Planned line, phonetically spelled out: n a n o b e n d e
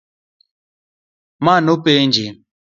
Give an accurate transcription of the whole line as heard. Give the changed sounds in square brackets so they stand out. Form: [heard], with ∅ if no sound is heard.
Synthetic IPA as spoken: [m] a n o [p] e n [d͡ʒ] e

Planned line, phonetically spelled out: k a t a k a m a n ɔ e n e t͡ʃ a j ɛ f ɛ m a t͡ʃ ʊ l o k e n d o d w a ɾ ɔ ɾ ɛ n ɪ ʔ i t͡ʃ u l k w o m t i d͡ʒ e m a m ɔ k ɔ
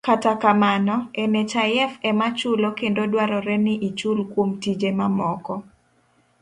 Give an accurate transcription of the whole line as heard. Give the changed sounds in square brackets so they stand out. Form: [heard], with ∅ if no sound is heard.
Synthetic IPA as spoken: k a t a k a m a n ɔ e n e t͡ʃ a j ɛ f ɛ m a t͡ʃ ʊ l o k e n d o d w a ɾ ɔ ɾ ɛ n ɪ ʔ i t͡ʃ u l k w o m t i d͡ʒ e m a m ɔ k ɔ

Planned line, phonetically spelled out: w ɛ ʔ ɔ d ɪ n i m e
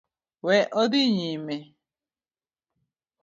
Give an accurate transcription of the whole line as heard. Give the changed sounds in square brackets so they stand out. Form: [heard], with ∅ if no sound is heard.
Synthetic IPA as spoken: w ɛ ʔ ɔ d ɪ [ɲ] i m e

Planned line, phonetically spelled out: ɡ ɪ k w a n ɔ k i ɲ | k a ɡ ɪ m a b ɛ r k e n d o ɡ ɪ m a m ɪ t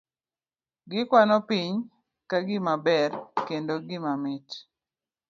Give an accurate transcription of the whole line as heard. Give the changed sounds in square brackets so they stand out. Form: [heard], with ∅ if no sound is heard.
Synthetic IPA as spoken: ɡ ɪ k w a n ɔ [p] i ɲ | k a ɡ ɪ m a b ɛ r k e n d o ɡ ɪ m a m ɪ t

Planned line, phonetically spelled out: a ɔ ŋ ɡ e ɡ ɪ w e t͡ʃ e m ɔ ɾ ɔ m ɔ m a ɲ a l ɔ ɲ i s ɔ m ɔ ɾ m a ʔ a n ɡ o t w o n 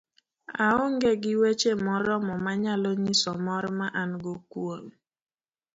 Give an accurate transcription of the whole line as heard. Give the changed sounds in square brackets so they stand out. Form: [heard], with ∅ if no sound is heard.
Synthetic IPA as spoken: a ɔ ŋ ɡ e ɡ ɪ w e t͡ʃ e m ɔ ɾ ɔ m ɔ m a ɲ a l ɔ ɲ i s ɔ m ɔ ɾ m a ʔ a n ɡ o [k] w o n

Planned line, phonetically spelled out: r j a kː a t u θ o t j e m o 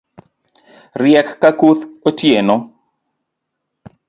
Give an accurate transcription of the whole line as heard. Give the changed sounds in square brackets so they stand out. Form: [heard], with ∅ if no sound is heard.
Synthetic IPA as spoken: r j [ɛ] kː a [k] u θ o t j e [n] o

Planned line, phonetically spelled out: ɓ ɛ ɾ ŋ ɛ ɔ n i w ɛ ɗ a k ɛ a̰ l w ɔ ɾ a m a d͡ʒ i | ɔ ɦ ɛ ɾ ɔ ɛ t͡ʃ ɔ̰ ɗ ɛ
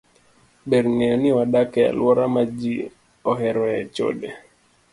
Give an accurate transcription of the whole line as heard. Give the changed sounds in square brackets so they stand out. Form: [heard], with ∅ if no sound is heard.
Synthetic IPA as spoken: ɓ ɛ ɾ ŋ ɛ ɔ n i w [a] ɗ a k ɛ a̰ l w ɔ ɾ a m a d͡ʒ i | ɔ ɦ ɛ ɾ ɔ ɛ t͡ʃ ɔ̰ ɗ ɛ

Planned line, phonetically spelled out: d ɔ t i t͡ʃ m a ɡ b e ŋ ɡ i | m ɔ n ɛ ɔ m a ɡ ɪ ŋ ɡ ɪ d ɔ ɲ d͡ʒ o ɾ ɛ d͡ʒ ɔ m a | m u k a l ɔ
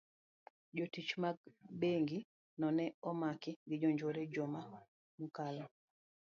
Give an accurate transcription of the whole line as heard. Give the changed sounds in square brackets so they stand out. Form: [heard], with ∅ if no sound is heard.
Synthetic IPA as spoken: [d͡ʒ] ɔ t i t͡ʃ m a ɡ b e ŋ ɡ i | [n] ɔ n ɛ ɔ m a [k] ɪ ŋ ɡ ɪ [d͡ʒ] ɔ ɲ d͡ʒ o ɾ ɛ d͡ʒ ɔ m a | m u k a l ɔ

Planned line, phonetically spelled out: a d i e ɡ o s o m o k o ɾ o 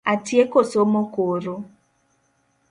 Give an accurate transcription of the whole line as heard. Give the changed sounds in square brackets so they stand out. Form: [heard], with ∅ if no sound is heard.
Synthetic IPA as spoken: a [t] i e [k] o s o m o k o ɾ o

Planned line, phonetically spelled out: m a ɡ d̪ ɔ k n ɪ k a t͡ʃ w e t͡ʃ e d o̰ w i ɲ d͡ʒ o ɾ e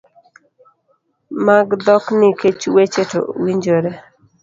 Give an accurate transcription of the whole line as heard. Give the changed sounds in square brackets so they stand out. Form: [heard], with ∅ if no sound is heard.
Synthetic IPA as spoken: m a ɡ d̪ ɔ k n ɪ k [e] t͡ʃ w e t͡ʃ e [t] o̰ w i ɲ d͡ʒ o ɾ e

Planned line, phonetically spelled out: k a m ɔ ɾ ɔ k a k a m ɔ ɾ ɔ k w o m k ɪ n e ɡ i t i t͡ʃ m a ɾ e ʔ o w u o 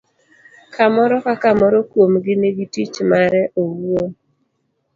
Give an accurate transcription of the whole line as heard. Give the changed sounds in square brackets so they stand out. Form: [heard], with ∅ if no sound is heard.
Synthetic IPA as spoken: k a m ɔ ɾ ɔ k a k a m ɔ ɾ ɔ k w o m [ɡ] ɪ n e ɡ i t i t͡ʃ m a ɾ [ɛ] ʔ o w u o

